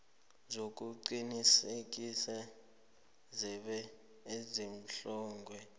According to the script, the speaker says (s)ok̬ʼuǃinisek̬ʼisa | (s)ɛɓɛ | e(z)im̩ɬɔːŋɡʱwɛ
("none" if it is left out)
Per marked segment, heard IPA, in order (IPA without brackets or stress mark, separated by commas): z, z, z